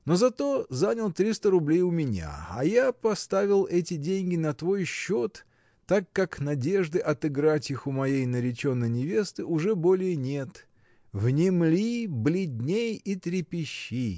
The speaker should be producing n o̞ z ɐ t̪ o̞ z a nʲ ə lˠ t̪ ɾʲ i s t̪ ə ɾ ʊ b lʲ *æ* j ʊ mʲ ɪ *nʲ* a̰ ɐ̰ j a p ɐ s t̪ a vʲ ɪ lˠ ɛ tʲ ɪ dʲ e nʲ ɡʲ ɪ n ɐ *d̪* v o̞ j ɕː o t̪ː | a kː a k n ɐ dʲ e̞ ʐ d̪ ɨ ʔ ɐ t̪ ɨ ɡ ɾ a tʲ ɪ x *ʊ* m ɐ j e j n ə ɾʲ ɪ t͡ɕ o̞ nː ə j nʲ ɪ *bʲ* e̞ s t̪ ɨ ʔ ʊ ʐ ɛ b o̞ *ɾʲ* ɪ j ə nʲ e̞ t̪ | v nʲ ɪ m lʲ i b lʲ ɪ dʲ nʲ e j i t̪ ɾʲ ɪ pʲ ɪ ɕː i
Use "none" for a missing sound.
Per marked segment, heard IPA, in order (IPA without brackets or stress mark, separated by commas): e, nʲ, t̪, ʊ, vʲ, lʲ